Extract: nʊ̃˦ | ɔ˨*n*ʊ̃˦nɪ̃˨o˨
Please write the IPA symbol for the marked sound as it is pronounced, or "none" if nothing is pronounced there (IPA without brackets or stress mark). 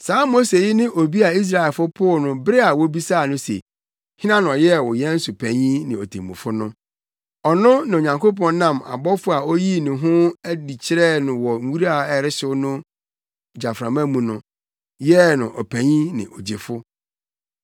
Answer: n